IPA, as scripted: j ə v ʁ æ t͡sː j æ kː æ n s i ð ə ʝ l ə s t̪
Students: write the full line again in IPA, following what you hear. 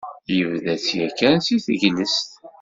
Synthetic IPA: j ə v ð æ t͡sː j æ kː æ n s i θ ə ʝ l ə s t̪

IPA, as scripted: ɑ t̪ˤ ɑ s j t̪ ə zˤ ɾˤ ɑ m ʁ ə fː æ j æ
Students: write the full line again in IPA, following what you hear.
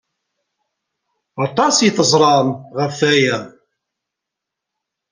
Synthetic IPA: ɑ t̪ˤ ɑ s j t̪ ə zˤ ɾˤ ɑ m ʁ ə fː æ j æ

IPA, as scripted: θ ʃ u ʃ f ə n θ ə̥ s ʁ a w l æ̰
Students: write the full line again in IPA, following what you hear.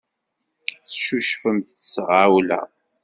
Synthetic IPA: θ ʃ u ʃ f ə m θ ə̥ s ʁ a w l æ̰

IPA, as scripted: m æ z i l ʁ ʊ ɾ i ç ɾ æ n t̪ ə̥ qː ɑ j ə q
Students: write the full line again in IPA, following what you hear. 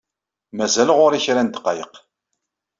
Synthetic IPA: m æ z æ l ʁ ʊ ɾ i ç ɾ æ n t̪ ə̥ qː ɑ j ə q

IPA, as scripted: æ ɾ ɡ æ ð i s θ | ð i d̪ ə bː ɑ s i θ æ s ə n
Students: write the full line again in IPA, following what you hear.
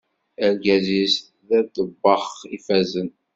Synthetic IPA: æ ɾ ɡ æ z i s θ | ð æ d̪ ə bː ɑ χ i f æ z ə n

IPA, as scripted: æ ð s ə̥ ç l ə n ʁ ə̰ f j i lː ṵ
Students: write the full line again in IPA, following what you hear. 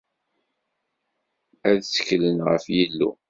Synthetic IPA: æ ð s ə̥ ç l ə n ʁ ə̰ f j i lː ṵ

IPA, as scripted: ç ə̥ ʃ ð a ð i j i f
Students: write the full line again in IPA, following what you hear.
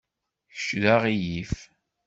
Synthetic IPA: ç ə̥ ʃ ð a ʁ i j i f

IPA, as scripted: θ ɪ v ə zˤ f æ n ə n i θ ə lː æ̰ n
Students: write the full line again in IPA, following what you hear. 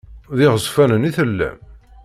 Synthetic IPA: ð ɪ ʁ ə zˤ f æ n ə n i θ ə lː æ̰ m

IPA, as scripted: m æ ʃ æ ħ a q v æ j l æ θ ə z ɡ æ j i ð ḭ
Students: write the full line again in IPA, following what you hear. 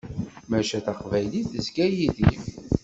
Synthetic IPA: m æ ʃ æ θ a q v æ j l i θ ə z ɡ æ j i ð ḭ

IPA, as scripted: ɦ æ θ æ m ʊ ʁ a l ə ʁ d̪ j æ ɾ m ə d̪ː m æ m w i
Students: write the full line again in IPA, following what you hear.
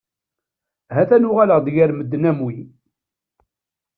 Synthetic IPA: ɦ æ θ æ n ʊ ʁ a l ə ʁ d̪ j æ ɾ m ə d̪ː n æ m w i

